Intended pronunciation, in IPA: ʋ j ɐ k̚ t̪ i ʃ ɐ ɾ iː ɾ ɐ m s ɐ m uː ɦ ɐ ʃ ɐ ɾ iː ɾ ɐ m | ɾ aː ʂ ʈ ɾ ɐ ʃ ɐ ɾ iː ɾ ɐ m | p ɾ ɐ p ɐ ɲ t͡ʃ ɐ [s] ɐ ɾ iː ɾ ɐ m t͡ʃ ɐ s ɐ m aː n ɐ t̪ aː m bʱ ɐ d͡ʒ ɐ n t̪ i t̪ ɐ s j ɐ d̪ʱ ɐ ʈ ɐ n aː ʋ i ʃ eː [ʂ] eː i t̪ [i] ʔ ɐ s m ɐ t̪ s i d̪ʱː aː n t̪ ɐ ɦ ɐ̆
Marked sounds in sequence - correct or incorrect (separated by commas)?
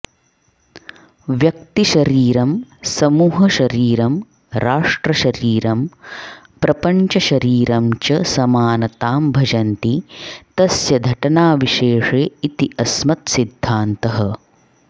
incorrect, correct, correct